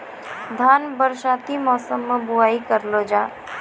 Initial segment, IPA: d̪ʱ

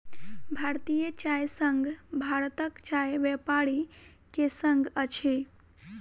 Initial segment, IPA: bʱ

